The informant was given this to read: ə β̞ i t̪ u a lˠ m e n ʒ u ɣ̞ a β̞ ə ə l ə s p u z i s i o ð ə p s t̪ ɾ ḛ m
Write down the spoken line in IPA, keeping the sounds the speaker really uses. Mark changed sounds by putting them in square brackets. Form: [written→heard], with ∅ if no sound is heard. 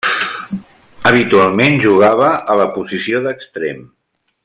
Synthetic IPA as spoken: ə β̞ i t̪ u a lˠ m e n ʒ u ɣ̞ a β̞ ə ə l ə [s→∅] p u z i s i o ð ə [p→k] s t̪ ɾ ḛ m